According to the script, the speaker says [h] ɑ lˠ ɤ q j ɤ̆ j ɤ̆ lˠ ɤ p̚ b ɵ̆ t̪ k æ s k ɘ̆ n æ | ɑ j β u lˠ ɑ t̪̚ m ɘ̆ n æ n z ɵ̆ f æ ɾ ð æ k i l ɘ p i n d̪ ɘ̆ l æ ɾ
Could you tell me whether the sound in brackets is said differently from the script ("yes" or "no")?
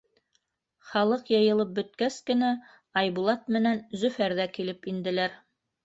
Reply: yes